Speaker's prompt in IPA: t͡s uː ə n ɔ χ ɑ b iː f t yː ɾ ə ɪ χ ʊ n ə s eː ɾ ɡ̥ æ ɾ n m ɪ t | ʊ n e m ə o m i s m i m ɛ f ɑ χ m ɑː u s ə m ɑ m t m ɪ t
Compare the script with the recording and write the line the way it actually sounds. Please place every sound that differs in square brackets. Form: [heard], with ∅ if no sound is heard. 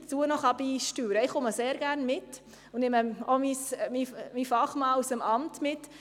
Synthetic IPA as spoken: t͡s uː ə n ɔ χ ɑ b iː [ʃ] t yː ɾ ə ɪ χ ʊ [m] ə s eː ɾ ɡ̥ æ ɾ n m ɪ t | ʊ n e m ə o m i s m i m [i] f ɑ χ m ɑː u s ə m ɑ m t m ɪ t